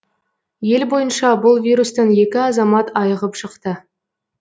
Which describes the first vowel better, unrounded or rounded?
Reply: unrounded